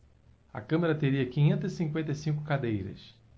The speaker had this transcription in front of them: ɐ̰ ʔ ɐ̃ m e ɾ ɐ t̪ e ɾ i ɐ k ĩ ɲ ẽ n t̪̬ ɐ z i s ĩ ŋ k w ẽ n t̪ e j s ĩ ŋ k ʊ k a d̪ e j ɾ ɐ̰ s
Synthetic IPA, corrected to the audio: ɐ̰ k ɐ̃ m e ɾ ɐ t̪ e ɾ i ɐ k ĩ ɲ ẽ n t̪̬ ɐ z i s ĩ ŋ k w ẽ n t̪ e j s ĩ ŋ k ʊ k a d̪ e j ɾ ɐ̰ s